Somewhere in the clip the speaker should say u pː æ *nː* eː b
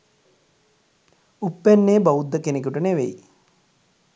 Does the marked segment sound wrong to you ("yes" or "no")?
no